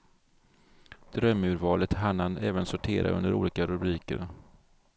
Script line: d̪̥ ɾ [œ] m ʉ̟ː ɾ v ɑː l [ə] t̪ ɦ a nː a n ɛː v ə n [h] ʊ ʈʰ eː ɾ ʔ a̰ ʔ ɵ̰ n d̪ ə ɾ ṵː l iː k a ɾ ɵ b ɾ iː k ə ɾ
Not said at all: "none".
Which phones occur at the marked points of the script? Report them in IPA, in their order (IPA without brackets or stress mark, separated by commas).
œ, ə, s